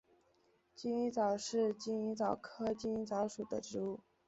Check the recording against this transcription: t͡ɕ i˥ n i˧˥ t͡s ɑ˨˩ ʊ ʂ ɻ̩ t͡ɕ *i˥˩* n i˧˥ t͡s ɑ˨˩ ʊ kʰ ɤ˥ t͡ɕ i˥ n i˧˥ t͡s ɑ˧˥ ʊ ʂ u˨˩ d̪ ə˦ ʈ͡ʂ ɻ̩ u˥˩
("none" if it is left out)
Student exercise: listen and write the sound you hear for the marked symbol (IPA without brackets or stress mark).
i˥